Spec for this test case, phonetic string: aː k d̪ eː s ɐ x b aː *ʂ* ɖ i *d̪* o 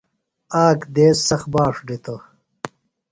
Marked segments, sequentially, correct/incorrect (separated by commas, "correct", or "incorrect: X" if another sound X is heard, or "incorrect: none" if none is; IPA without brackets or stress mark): correct, incorrect: t̪